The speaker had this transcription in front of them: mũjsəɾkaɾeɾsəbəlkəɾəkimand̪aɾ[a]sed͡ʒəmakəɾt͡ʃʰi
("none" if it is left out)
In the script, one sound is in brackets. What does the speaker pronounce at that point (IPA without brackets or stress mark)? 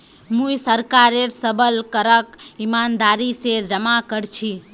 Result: i